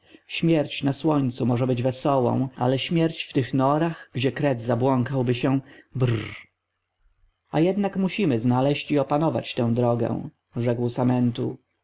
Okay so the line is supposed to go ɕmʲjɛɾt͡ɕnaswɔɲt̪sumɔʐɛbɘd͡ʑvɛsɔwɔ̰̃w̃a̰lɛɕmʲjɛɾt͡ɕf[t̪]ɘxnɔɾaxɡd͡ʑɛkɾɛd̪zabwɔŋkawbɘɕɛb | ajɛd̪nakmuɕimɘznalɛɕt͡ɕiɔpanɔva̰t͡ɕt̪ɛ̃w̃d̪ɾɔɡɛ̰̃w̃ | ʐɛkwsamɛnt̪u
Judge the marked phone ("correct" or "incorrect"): correct